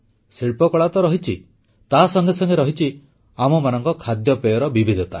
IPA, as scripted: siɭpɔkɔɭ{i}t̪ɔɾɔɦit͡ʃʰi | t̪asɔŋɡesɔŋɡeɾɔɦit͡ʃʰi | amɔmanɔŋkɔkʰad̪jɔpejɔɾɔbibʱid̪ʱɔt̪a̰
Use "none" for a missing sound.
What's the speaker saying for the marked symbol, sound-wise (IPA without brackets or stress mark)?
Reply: a